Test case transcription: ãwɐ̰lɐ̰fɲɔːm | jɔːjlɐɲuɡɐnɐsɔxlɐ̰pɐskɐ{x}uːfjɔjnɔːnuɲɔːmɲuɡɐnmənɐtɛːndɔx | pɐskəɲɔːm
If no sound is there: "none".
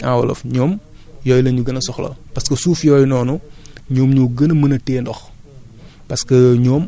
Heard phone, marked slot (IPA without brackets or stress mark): s